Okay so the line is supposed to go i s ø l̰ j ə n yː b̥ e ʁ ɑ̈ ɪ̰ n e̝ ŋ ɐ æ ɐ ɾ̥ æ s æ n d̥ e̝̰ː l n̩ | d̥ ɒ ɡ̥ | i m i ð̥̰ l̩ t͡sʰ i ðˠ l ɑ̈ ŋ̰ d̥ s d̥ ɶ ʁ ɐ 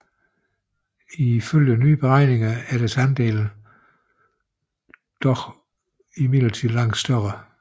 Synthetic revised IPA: i f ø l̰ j ə n yː b̥ e ʁ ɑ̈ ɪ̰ n e̝ ŋ ɐ æ ɐ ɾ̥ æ s æ n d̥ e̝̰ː l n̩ | d̥ ɒ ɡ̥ | i m i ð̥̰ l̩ t͡sʰ i ðˠ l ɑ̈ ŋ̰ d̥ s d̥ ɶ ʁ ɐ